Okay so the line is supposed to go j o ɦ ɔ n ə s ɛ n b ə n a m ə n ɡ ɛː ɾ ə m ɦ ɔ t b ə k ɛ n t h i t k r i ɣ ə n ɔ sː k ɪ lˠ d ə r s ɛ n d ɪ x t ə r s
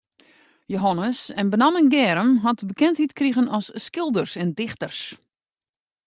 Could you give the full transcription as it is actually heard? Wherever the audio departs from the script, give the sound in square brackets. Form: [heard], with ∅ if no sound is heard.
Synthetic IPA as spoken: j o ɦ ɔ n ə s ɛ n b ə n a m ə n ɡ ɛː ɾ ə m ɦ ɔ t b ə k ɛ n t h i t k r i ɣ ə n ɔ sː k ɪ lˠ d ə r s ɛ n d ɪ x t ə r s